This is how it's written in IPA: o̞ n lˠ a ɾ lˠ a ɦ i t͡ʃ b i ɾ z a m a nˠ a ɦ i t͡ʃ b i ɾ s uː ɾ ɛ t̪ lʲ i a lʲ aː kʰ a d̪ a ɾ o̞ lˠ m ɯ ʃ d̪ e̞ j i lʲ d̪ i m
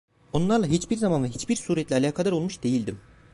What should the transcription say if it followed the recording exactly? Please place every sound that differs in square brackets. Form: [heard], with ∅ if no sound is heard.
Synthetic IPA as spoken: o̞ n lˠ a ɾ lˠ a ɦ i t͡ʃ b i ɾ z a m a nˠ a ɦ i t͡ʃ b i ɾ s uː ɾ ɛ t̪ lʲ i a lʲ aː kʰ a d̪ a ɾ o̞ lˠ m [u] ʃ d̪ e̞ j i lʲ d̪ i m